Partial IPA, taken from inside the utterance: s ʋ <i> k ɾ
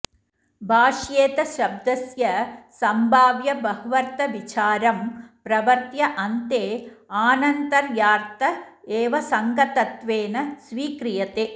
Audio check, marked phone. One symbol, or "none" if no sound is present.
iː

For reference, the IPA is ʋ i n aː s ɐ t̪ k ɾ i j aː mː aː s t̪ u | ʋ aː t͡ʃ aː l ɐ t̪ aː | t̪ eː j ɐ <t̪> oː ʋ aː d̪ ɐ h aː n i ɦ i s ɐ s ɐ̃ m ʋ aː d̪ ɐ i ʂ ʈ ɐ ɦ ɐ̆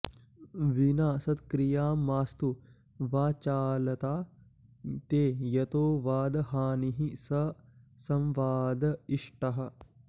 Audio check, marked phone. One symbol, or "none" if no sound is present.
t̪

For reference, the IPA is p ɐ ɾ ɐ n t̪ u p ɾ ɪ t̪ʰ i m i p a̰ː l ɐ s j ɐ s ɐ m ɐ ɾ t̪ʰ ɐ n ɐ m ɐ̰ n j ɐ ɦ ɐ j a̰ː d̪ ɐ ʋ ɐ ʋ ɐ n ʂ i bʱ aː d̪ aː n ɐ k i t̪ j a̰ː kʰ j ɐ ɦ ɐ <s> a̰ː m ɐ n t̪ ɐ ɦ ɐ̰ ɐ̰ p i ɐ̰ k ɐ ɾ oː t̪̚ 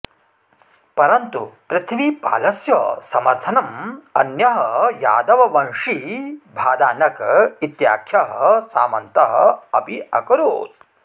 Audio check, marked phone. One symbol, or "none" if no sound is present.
s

